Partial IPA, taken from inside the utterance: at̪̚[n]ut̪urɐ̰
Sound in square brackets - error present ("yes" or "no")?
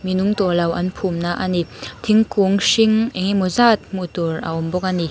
yes